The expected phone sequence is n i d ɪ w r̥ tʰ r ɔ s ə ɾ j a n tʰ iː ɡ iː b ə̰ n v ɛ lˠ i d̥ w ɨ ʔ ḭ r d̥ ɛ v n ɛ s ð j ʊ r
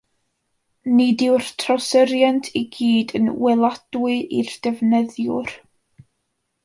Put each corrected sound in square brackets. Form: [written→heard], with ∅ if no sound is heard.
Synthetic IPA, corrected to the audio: n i d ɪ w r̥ tʰ r ɔ s ə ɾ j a n tʰ [iː→i] ɡ iː [b→d] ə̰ n [v→w] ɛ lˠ [i→a] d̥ w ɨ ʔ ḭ r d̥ ɛ v n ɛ [s→∅] ð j ʊ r